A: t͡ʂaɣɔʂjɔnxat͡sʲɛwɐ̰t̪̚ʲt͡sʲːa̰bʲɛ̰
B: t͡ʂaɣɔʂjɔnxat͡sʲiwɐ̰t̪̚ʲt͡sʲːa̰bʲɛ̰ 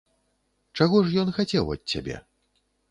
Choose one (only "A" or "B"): A